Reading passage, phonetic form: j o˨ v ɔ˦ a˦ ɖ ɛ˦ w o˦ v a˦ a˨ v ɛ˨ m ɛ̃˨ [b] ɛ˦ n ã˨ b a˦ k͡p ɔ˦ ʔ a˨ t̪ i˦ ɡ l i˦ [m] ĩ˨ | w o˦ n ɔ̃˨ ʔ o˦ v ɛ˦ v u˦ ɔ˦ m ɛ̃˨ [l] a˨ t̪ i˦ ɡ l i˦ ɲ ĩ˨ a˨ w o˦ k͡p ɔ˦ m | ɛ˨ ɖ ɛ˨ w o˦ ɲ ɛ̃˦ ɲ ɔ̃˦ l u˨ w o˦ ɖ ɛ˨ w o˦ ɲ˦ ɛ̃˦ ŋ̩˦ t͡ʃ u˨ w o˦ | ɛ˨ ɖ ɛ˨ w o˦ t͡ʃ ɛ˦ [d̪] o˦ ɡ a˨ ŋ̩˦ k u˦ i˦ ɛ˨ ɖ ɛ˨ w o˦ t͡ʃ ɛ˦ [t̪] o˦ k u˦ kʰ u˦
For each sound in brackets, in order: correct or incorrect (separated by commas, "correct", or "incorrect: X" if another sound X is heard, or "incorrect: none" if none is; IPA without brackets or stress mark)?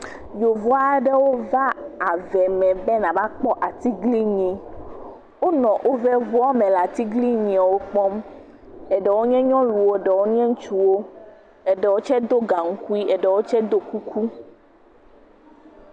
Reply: correct, incorrect: ɲ, correct, correct, incorrect: d̪